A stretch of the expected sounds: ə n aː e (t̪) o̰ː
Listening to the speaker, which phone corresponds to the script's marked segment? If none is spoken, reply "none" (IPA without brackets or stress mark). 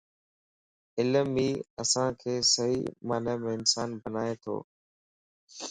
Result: t̪ʰ